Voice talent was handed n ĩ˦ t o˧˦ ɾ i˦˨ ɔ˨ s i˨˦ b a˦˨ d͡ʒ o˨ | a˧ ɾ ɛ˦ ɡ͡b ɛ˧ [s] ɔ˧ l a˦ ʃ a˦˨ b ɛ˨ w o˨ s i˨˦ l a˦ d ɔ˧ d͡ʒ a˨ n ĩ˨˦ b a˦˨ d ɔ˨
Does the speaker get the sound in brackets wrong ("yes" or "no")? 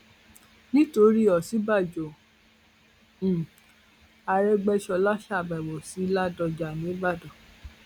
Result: yes